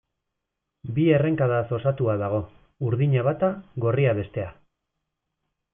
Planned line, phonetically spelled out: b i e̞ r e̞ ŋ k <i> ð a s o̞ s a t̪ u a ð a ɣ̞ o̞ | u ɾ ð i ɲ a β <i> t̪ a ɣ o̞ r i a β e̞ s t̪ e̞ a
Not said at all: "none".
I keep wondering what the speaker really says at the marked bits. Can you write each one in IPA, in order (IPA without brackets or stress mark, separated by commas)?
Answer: a, a